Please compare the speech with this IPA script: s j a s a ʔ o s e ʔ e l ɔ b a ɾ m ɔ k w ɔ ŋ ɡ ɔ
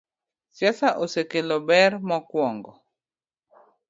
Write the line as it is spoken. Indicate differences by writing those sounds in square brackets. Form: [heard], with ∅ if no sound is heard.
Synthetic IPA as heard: s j a s a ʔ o s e [k] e l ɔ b [ɛ] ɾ m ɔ k w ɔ ŋ ɡ ɔ